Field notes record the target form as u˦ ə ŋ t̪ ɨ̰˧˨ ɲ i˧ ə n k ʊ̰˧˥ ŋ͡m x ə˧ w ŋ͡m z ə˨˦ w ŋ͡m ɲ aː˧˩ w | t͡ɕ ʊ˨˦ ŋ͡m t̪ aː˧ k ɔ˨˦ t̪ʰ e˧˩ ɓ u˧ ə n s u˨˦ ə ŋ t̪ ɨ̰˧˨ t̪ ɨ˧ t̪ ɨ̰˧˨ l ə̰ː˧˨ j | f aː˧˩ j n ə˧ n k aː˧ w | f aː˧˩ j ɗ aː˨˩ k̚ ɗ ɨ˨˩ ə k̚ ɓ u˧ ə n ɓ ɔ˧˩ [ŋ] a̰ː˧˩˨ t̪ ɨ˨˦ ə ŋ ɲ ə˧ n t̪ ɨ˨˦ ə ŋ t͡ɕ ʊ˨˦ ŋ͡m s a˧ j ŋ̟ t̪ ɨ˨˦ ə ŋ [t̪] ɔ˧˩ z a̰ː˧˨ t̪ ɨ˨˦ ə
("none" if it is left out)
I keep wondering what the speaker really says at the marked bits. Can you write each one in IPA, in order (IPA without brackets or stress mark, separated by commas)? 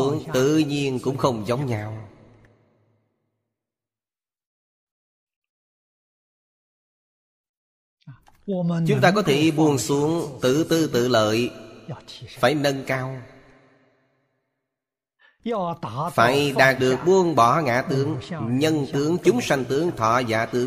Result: ŋ, t̪ʰ